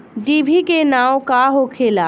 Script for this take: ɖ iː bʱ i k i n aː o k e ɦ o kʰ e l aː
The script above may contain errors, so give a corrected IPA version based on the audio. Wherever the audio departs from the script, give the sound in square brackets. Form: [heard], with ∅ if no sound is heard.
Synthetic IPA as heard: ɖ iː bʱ i k [e] n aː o k [a] ɦ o kʰ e l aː